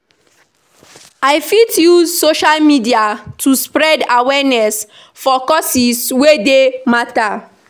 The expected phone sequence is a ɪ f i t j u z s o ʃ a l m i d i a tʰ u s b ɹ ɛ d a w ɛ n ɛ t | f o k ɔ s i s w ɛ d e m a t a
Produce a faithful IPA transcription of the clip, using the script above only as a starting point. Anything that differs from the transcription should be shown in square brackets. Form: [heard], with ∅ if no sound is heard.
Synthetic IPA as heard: a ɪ f i t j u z s o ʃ a l m i d i a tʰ u s [p] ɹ ɛ d a w ɛ n ɛ [s] | f [ɔ] k ɔ s i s w [e] d e m a t a